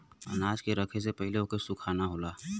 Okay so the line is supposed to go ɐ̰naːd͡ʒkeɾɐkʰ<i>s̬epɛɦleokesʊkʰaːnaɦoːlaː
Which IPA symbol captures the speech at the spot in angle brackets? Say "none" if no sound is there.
e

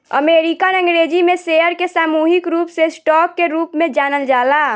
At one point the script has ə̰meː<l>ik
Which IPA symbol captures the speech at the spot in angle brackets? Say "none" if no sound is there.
ɾ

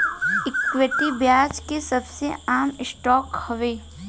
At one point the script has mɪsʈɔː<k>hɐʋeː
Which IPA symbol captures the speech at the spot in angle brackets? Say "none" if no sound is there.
k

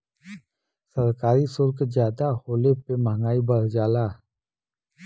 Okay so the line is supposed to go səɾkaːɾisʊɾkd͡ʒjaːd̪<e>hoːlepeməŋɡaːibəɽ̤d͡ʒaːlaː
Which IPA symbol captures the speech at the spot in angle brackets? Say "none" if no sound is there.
a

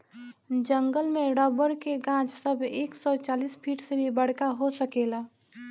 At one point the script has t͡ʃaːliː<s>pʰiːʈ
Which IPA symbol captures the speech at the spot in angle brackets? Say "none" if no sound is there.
s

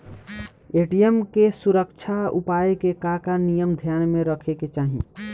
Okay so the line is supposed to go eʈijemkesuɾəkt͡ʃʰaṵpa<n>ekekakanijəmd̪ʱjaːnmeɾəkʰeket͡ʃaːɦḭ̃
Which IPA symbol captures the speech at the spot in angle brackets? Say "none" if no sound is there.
none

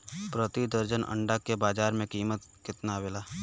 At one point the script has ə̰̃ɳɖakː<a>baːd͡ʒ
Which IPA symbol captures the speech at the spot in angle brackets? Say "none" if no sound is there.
e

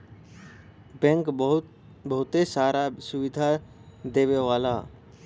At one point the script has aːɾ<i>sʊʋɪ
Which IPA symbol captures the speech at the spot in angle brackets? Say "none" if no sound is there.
a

